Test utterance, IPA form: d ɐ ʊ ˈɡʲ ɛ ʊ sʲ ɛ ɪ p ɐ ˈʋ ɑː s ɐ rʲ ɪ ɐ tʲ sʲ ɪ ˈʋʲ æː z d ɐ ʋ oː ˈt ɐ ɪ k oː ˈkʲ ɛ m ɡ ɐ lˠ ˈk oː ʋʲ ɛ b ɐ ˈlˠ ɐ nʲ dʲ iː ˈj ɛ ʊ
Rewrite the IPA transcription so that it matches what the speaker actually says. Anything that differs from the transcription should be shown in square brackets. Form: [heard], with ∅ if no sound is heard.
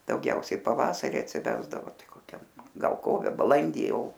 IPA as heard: d ɐ ʊ ˈɡʲ ɛ ʊ sʲ ɛ ɪ p ɐ ˈʋ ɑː s ɐ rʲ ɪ ɐ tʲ sʲ ɪ ˈʋʲ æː z d ɐ ʋ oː ˈt ɐ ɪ k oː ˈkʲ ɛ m ɡ ɐ lˠ ˈk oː ʋʲ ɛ b ɐ ˈlˠ ɐ nʲ dʲ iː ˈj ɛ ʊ